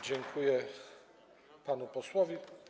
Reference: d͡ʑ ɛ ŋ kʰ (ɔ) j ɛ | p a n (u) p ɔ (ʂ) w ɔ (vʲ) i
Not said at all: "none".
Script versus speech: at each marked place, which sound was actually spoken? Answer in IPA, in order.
u, u, s, vʲ

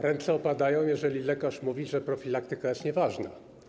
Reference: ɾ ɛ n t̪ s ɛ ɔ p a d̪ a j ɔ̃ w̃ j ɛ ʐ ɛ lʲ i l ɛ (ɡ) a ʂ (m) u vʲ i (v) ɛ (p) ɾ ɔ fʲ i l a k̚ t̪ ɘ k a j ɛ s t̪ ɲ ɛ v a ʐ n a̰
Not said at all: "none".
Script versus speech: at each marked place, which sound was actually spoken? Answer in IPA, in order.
k, m, ʐ, p

